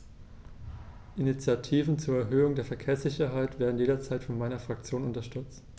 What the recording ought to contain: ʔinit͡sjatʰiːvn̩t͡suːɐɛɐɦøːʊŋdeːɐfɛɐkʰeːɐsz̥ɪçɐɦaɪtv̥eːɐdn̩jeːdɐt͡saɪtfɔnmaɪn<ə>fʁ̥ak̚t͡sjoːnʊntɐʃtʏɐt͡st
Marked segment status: incorrect: ɐ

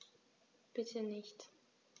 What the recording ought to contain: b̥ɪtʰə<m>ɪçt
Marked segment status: incorrect: n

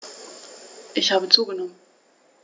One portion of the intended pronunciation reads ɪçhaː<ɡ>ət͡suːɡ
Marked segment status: incorrect: b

